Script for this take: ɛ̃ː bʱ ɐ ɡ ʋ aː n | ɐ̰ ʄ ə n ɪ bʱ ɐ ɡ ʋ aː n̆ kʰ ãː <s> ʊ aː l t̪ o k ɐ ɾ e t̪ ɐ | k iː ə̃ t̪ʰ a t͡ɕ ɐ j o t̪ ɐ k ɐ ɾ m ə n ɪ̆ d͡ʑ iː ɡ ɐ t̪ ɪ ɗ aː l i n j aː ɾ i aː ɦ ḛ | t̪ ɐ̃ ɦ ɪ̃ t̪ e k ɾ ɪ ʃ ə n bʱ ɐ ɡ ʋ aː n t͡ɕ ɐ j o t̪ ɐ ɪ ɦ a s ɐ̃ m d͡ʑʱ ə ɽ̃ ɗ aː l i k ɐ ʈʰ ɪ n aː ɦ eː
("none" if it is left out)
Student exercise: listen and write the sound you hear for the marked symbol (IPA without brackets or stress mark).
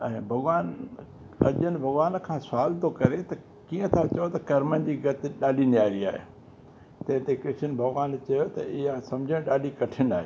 s